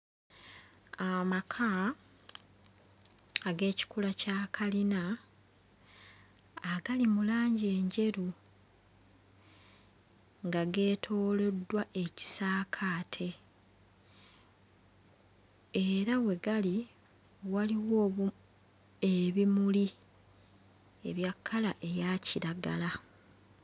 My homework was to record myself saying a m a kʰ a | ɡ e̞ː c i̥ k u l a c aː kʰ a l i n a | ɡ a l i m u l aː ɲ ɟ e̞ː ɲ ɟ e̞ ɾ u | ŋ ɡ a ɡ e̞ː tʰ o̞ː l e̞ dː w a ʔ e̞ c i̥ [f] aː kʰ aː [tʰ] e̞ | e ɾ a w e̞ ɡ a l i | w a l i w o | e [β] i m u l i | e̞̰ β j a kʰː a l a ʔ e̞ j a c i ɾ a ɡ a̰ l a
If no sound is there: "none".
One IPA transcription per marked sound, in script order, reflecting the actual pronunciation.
s, tʰ, β

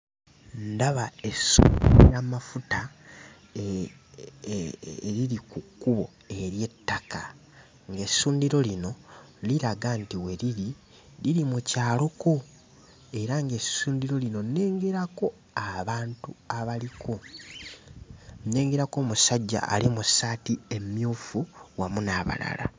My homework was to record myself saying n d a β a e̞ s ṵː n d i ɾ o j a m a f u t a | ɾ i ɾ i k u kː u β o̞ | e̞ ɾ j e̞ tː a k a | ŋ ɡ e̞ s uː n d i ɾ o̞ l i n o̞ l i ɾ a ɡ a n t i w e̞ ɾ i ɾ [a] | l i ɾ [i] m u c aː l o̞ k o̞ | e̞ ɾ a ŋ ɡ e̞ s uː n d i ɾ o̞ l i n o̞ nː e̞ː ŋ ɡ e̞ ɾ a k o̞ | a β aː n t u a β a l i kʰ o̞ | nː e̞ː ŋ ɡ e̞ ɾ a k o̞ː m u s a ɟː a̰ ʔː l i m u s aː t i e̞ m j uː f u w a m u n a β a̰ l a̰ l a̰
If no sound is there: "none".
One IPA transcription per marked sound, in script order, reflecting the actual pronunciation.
i, i

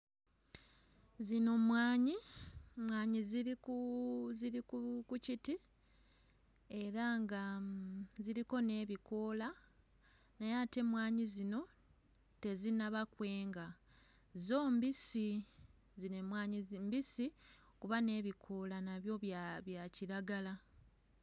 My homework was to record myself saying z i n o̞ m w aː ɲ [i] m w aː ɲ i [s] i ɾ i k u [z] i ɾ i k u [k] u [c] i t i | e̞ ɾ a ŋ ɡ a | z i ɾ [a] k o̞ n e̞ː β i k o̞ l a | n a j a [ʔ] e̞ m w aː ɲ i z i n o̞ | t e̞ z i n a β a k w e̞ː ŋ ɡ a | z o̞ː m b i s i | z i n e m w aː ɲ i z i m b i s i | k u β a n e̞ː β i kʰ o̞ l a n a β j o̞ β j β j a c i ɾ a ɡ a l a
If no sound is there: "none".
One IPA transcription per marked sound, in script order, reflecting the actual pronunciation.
i, z, z, k, c, i, t

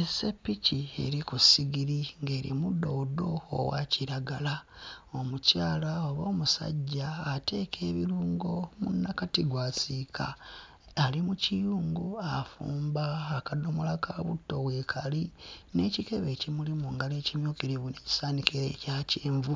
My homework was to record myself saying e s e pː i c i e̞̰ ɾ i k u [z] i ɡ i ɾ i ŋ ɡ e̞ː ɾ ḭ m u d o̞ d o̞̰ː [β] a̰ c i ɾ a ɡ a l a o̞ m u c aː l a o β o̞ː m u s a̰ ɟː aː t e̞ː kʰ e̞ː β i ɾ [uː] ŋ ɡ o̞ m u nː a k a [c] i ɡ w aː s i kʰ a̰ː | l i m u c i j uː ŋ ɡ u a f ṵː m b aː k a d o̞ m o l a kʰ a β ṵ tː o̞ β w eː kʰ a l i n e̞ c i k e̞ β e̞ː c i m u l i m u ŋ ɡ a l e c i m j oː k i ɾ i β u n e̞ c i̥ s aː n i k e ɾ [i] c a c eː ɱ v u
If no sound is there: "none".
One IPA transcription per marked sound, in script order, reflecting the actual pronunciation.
s, w, uː, t, e

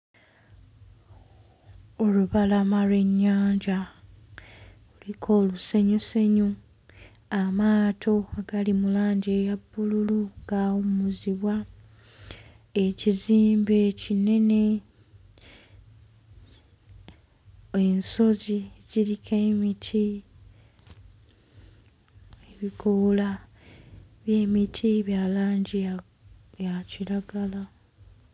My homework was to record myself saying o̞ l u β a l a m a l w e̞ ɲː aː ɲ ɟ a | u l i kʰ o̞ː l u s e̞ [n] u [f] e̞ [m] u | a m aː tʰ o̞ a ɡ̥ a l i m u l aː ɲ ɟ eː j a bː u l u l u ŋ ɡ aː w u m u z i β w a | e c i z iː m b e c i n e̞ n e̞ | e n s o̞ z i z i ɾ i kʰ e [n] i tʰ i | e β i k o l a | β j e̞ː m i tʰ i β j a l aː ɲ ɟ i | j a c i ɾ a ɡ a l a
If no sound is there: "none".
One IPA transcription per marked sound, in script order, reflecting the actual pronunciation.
ɲ, s, ɲ, m

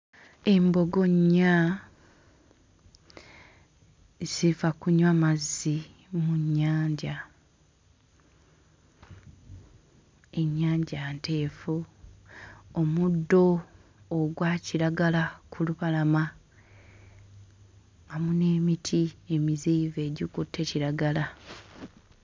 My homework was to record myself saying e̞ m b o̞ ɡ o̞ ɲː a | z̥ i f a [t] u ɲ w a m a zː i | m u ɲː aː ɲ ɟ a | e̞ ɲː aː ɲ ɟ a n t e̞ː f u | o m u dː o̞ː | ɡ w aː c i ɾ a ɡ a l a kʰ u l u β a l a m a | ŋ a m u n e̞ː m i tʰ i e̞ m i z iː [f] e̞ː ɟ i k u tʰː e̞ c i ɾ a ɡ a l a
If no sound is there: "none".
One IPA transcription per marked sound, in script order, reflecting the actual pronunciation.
k, v

